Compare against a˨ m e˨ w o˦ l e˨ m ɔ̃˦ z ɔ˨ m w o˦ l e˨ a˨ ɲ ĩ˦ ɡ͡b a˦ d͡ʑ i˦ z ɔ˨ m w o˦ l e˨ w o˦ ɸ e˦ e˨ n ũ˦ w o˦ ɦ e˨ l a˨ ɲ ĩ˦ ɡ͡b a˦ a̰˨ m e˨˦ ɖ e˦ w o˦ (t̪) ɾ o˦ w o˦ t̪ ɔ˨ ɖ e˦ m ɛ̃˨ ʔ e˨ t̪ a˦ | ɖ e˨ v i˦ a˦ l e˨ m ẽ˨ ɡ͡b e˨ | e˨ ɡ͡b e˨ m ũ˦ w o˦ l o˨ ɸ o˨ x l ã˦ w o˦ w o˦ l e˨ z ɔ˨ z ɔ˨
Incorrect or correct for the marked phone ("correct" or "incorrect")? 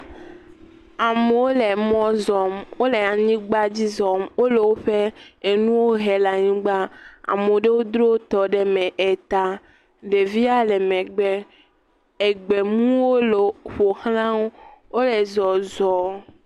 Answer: incorrect